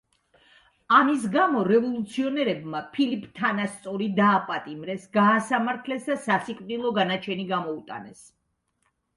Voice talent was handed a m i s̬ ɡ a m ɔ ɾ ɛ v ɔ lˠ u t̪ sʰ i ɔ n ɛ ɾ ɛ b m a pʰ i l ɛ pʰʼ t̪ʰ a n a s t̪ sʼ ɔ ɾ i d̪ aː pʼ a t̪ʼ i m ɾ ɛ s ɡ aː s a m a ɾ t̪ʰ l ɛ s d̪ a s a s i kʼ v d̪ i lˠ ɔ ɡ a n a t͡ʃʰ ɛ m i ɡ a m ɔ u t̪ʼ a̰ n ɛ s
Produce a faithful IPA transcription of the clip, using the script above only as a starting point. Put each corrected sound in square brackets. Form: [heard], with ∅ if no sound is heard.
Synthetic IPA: a m i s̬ ɡ a m ɔ ɾ ɛ v ɔ lˠ u t̪ sʰ i ɔ n ɛ ɾ ɛ b m a pʰ i l [i] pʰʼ t̪ʰ a n a s t̪ sʼ ɔ ɾ i d̪ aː pʼ a t̪ʼ i m ɾ ɛ s ɡ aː s a m a ɾ t̪ʰ l ɛ s d̪ a s a s i kʼ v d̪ i lˠ ɔ ɡ a n a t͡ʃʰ ɛ [n] i ɡ a m ɔ u t̪ʼ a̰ n ɛ s